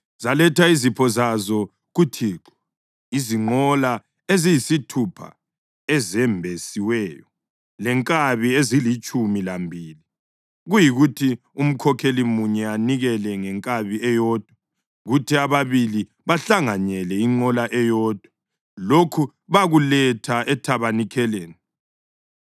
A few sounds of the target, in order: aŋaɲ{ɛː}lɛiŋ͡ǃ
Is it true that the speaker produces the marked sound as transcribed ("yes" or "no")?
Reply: no